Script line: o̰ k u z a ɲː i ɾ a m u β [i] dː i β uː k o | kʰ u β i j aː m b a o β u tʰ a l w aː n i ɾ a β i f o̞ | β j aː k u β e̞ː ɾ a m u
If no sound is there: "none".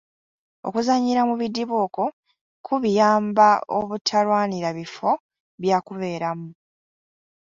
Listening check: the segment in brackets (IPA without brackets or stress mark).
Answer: i